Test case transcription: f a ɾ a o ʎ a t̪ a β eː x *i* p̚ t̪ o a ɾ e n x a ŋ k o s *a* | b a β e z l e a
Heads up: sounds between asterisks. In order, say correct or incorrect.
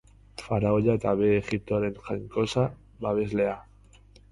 correct, correct

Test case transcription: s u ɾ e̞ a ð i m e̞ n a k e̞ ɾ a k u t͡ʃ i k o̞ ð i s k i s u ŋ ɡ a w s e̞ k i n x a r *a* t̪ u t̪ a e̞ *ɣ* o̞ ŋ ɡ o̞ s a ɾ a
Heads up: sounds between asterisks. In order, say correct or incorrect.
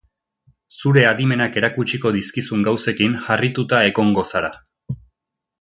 incorrect: i, correct

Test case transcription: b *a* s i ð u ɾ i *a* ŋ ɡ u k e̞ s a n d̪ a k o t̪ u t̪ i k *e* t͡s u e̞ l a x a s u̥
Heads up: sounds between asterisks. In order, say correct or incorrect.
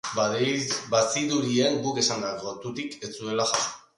correct, incorrect: e, correct

